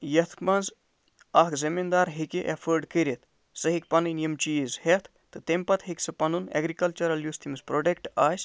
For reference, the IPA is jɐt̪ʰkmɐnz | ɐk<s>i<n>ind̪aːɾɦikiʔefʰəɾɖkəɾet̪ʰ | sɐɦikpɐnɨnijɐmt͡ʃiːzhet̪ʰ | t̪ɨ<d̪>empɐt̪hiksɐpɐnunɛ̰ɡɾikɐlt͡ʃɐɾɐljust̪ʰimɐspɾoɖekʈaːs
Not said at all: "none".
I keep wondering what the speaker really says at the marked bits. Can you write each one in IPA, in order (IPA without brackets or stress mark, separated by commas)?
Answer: z, m, t̪